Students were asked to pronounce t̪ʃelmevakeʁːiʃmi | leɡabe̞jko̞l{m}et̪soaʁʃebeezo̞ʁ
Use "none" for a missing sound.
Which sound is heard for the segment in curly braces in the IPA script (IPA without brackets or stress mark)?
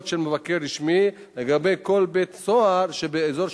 b